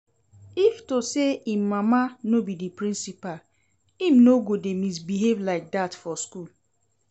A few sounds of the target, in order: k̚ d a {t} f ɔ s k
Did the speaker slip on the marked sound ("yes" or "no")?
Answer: no